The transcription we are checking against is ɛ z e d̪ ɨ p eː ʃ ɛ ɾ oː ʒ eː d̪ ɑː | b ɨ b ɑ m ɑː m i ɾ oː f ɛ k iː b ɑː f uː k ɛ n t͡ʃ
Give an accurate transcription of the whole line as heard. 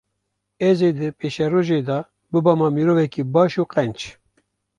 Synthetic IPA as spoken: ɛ z e d̪ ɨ p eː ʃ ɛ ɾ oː ʒ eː d̪ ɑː | b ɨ b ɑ m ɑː m i ɾ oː v ɛ k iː b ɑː ʃ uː q ɛ n t͡ʃ